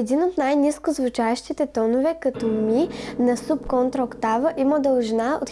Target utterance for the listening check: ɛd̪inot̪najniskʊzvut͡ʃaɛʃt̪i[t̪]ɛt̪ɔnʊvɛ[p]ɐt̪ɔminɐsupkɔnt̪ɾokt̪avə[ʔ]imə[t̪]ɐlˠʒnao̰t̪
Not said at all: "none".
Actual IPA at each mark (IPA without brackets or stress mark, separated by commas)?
t̪, k, ʔ, d̪